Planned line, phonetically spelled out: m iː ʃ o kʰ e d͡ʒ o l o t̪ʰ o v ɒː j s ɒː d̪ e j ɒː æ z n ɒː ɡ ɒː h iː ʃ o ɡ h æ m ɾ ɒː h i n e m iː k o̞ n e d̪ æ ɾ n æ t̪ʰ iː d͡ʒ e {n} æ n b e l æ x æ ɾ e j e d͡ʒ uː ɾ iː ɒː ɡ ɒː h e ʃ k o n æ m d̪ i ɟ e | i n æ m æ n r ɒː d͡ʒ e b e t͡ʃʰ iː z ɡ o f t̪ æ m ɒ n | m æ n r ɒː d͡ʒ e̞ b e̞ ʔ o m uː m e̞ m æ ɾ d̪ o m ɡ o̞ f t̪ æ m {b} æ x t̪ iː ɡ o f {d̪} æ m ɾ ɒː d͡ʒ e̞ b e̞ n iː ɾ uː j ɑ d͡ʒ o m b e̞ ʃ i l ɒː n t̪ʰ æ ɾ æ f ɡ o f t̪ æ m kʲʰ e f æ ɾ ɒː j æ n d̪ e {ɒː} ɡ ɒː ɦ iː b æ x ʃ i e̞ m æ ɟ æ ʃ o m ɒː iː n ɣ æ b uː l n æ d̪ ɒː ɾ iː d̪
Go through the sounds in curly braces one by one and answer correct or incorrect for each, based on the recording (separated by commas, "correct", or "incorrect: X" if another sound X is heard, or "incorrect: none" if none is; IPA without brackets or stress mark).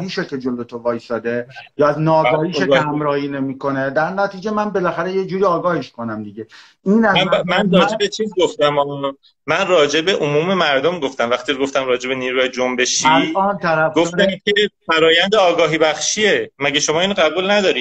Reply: incorrect: m, incorrect: v, incorrect: t̪, correct